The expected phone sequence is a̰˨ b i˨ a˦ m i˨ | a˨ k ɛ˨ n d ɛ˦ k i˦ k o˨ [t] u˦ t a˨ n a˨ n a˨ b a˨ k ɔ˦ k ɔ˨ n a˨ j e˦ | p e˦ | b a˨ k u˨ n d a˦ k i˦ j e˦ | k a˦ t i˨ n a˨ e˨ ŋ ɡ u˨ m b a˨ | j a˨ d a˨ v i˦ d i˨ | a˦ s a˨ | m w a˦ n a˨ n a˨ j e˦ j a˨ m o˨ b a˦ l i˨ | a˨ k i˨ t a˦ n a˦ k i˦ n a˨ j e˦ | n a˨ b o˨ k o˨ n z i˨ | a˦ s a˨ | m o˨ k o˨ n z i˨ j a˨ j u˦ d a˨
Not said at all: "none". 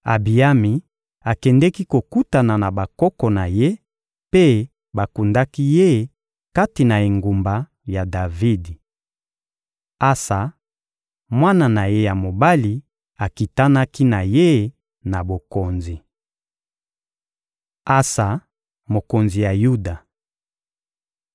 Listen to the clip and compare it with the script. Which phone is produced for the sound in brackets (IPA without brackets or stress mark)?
k